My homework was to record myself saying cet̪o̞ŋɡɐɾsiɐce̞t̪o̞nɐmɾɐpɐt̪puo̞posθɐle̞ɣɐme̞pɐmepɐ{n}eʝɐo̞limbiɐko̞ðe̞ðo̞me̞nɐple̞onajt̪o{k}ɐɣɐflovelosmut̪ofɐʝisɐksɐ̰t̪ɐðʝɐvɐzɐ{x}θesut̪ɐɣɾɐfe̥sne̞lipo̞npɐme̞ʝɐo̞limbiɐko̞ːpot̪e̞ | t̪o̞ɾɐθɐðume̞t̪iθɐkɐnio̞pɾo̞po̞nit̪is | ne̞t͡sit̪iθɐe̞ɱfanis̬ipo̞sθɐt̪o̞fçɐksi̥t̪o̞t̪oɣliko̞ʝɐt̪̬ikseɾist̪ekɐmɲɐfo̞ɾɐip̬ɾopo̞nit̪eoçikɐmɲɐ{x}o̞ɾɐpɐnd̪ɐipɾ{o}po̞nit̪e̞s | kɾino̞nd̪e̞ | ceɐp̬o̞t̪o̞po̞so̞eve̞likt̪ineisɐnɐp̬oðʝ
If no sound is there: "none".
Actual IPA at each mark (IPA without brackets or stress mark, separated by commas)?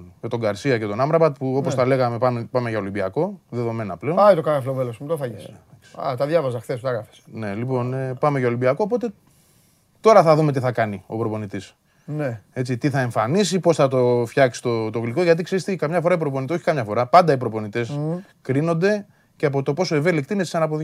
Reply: m, k, x, f, o